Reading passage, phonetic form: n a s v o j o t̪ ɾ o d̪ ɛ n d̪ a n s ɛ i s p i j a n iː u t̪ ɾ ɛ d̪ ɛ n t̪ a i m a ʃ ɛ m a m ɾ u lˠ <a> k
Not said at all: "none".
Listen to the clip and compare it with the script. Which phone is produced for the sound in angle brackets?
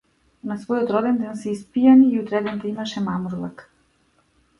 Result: a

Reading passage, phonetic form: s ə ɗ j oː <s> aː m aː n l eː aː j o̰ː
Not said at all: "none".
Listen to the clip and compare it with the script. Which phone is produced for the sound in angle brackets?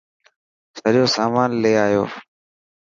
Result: s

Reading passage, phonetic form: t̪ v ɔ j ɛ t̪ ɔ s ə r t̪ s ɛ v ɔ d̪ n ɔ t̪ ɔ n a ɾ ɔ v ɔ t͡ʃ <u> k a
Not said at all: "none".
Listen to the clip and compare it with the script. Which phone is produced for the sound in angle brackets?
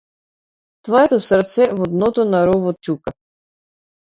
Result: u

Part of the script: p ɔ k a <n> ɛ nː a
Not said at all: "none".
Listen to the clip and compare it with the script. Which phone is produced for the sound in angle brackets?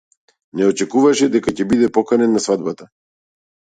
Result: n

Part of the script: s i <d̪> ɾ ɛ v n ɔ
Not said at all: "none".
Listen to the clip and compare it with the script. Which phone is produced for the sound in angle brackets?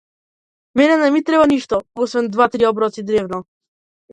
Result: d̪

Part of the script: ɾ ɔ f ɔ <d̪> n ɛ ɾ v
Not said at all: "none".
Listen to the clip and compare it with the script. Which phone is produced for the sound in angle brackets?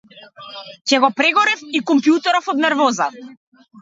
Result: d̪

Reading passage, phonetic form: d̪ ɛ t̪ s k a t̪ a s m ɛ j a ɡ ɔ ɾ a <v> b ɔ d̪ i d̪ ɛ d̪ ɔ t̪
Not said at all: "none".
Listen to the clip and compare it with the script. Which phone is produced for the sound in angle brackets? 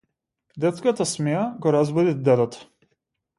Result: z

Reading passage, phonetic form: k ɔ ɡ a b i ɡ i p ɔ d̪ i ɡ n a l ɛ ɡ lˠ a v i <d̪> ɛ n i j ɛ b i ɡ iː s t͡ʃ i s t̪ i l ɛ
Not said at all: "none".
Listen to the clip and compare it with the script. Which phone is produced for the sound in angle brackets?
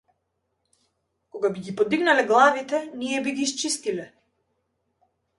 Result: t̪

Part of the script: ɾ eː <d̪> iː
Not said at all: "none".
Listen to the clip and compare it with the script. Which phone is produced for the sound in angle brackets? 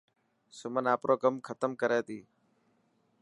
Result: t̪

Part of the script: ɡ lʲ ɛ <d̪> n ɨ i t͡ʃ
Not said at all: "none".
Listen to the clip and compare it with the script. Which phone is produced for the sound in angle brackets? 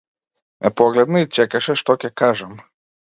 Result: d̪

